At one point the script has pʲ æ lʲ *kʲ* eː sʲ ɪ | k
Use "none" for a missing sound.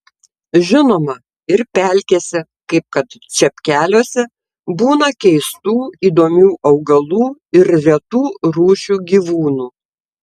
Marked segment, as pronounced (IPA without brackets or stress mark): kʲ